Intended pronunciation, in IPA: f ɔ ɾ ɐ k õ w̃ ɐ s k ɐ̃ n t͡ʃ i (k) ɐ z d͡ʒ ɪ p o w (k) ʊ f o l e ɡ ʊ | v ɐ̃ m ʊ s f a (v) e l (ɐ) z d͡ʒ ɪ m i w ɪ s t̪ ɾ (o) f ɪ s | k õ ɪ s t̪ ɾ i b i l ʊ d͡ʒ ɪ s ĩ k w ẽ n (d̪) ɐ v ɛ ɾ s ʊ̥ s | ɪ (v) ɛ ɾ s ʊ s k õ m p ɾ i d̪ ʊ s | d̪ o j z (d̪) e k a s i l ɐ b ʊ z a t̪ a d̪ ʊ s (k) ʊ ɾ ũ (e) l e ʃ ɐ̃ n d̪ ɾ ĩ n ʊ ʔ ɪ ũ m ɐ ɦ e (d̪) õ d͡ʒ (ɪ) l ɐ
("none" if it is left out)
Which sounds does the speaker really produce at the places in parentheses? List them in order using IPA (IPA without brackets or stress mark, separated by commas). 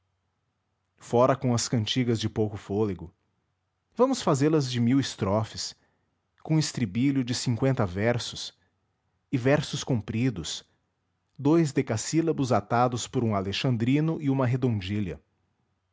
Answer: ɡ, k, z, ɐ, ɔ, t̪, v, d̪, p, a, d̪, i